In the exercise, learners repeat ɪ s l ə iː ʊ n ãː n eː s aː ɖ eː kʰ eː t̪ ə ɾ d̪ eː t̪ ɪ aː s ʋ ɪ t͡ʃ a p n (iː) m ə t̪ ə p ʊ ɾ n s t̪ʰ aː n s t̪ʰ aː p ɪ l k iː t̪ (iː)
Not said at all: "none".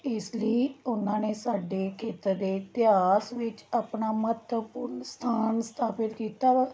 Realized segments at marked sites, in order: aː, aː

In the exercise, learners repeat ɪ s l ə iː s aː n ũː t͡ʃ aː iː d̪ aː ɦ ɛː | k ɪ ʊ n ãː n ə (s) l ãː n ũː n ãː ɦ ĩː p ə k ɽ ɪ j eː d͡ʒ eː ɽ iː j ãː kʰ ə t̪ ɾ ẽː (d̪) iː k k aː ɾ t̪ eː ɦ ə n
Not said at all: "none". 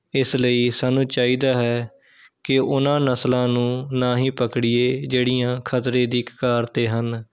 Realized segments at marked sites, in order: s, d̪

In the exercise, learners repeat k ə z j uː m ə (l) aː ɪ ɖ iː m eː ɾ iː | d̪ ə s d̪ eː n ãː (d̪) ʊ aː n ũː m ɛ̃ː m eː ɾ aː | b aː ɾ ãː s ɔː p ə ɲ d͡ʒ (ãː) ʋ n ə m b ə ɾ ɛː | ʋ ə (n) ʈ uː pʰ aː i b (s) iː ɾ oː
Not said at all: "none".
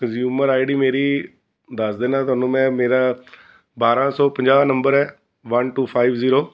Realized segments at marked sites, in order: ɾ, t̪, aː, n, z

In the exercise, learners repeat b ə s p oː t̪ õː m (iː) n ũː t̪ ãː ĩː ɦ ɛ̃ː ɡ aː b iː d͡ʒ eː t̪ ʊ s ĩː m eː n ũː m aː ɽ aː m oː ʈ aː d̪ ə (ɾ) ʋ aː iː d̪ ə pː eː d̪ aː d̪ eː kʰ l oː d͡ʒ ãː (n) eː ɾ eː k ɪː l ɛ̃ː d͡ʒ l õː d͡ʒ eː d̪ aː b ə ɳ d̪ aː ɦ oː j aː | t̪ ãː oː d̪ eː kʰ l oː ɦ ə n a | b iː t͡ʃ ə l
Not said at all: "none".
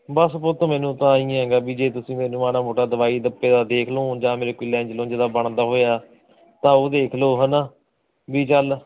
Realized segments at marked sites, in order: ɛː, none, m

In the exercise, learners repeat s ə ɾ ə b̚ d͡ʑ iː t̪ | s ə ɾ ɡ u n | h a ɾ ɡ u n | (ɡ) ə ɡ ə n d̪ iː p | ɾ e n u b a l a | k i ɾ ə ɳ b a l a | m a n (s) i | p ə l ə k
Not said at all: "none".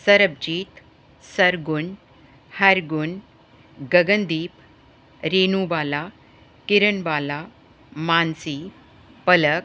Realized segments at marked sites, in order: ɡ, s

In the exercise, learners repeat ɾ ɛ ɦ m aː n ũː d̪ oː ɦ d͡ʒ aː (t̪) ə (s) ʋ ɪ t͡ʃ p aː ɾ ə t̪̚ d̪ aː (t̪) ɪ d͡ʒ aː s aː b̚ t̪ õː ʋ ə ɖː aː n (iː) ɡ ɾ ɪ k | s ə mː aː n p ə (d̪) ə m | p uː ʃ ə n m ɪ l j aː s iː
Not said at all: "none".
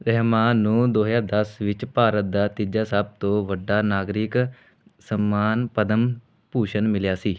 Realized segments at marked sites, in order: d̪, s, t̪, aː, d̪

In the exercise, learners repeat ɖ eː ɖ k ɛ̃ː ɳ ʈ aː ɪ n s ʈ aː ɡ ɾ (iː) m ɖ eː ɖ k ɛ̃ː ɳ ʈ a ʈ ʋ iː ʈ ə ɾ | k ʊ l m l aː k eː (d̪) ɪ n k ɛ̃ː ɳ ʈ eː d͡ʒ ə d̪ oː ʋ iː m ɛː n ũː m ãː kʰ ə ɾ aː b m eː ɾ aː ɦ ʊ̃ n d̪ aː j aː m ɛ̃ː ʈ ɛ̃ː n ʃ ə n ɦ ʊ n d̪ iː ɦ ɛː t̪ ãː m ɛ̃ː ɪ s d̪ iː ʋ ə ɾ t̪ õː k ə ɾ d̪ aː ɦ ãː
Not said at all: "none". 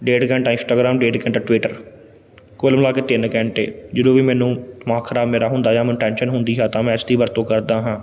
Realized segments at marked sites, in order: aː, t̪

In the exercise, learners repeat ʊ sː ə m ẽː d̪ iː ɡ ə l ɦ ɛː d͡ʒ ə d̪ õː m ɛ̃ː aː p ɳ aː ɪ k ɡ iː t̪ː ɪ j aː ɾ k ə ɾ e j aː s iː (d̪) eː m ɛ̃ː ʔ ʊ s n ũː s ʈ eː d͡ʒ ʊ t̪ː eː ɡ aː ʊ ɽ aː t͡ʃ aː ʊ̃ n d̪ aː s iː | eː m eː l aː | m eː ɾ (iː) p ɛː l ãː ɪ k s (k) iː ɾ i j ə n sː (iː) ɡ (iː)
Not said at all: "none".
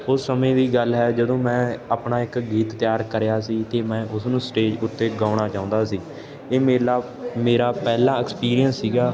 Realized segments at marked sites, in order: t̪, aː, p, iː, aː

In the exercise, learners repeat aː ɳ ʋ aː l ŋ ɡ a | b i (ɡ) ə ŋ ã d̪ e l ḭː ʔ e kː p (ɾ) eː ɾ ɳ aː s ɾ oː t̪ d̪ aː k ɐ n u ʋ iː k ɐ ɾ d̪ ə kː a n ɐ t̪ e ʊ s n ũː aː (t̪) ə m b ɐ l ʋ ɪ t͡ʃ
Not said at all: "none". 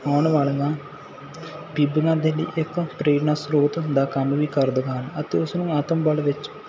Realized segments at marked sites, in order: b, ɾ, t̪

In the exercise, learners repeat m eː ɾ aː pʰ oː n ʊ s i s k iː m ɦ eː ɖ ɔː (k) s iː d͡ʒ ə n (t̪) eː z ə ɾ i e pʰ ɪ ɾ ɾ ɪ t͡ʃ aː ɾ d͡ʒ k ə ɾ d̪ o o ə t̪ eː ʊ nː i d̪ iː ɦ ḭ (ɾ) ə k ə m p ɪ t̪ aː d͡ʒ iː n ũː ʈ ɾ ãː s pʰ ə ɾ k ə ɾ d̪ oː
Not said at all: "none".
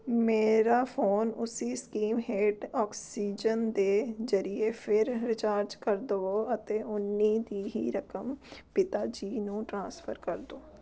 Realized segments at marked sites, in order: k, d̪, ɾ

